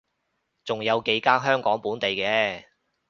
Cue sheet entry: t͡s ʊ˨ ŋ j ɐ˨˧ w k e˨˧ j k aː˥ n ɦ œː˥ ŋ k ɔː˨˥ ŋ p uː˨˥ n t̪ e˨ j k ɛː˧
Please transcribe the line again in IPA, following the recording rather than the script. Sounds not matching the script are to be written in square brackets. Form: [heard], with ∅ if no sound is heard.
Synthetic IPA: t͡s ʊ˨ ŋ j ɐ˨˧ w k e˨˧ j k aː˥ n ɦ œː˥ ŋ k ɔː˨˥ ŋ p uː˨˥ n t̪ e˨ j k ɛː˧